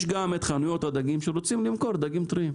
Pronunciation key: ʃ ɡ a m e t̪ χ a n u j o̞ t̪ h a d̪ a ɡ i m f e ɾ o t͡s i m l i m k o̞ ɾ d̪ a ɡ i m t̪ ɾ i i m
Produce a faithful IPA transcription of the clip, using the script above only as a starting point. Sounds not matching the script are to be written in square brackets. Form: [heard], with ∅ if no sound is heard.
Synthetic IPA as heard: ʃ ɡ a m e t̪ χ a n u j o̞ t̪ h a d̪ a ɡ i m [ʃ] e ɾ o t͡s i m l i m k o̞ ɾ d̪ a ɡ i m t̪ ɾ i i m